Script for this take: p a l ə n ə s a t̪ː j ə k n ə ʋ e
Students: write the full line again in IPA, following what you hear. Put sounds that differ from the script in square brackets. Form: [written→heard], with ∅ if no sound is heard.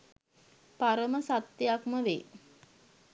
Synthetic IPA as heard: p a [l→ɾ] ə [n→m] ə s a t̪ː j [ə→a] k [n→m] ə ʋ e